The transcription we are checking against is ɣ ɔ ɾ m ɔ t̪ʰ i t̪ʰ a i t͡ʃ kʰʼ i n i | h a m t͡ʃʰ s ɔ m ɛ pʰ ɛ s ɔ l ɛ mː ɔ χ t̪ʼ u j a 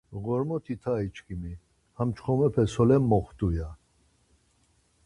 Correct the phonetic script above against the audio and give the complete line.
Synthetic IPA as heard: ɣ ɔ ɾ m ɔ t̪ʰ i t̪ʰ a i t͡ʃ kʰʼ i m i | h a m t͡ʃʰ χ ɔ m ɛ pʰ ɛ s ɔ l ɛ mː ɔ χ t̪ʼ u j a